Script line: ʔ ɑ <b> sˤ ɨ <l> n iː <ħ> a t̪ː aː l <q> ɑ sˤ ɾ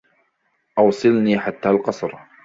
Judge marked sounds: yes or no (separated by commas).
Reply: no, yes, yes, yes